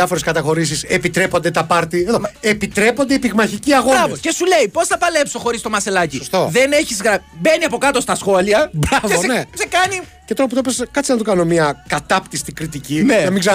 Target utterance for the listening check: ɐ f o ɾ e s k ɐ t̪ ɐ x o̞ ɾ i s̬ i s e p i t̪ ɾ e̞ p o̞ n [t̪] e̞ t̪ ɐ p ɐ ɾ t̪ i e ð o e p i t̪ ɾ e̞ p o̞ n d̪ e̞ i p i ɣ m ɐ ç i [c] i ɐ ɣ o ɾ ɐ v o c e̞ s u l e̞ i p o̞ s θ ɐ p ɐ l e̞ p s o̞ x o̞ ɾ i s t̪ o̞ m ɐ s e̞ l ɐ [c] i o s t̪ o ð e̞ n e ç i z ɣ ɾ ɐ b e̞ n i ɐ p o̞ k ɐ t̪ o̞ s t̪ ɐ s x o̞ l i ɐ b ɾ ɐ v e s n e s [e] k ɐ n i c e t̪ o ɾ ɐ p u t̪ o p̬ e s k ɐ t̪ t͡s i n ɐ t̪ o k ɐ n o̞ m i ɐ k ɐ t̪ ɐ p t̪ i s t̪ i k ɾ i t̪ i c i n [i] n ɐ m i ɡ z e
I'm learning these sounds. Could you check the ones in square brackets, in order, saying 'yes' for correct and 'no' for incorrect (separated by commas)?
no, yes, yes, yes, no